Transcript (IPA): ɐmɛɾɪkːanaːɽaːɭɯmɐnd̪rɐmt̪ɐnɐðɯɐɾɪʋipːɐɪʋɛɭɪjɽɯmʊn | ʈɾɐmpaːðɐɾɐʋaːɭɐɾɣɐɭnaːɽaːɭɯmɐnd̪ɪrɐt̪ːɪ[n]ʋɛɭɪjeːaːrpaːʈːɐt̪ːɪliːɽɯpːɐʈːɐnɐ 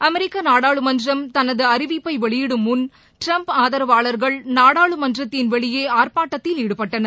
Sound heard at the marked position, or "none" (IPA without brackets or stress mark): n